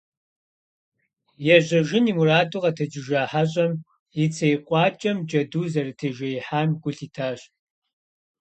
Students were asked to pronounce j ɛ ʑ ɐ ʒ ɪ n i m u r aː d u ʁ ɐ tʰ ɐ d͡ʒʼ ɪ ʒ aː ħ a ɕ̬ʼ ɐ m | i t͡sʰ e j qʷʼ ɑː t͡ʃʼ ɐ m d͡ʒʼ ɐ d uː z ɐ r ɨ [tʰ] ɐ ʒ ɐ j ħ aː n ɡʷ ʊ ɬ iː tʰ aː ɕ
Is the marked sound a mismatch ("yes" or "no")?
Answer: no